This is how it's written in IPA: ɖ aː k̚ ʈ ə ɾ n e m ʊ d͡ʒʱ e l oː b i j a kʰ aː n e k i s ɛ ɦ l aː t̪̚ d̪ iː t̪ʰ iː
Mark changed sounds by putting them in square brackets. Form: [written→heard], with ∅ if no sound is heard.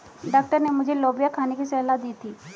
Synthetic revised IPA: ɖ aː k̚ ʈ ə ɾ n e m ʊ d͡ʒʱ e l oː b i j a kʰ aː n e k i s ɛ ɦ l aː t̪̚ d̪ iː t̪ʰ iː